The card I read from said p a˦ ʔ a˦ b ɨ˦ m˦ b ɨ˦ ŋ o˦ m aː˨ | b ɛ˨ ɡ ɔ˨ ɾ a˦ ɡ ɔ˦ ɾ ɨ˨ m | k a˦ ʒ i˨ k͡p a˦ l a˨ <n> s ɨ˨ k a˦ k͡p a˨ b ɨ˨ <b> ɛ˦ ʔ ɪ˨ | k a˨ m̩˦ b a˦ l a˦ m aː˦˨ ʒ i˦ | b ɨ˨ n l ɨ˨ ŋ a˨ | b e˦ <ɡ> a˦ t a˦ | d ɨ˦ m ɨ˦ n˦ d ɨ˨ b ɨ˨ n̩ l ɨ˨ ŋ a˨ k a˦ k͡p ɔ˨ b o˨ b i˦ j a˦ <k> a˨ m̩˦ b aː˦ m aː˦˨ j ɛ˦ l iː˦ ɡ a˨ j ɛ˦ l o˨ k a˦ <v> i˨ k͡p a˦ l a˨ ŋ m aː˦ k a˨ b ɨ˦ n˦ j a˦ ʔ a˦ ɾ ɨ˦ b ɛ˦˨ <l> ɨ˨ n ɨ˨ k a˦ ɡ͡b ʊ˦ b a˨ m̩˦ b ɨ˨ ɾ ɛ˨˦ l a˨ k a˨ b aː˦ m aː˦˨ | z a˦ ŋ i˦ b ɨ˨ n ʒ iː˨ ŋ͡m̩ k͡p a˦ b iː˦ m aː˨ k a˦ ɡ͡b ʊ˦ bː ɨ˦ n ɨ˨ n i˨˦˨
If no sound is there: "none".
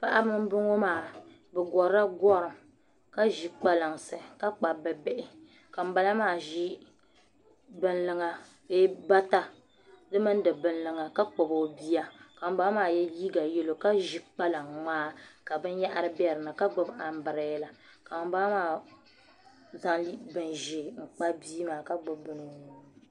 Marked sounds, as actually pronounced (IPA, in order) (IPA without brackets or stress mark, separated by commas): ŋ, b, b, k, ʒ, ɾ